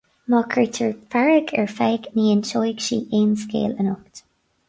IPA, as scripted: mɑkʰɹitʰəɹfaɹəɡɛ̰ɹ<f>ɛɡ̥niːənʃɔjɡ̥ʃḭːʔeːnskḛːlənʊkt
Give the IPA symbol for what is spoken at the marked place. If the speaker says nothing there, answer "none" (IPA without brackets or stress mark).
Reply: f